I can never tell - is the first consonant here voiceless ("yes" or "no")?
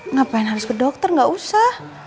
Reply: no